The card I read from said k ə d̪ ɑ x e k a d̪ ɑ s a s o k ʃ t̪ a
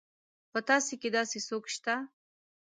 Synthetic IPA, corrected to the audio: p ə t̪ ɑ s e k e d̪ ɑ s e s o k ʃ t̪ a